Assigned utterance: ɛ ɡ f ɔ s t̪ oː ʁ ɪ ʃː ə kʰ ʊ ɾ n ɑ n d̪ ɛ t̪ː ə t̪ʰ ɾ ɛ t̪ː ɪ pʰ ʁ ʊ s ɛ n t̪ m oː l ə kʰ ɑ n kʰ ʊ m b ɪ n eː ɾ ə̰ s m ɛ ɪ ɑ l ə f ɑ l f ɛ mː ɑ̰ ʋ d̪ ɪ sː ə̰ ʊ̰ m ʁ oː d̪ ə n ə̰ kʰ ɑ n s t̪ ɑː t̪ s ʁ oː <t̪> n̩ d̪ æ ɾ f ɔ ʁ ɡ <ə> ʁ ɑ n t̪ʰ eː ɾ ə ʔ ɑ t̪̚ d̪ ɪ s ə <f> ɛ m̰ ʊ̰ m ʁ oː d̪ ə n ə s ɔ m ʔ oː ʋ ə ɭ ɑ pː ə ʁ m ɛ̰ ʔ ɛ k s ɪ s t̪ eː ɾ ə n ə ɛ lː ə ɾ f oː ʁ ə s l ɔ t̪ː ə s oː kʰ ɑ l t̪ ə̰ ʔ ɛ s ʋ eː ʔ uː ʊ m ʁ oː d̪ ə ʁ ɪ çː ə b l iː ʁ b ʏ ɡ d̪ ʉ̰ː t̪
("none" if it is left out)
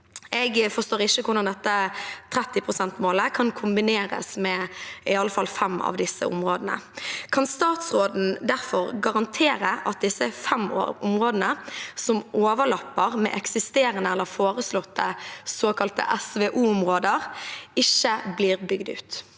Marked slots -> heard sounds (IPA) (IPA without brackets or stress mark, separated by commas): d̪, ɑ, f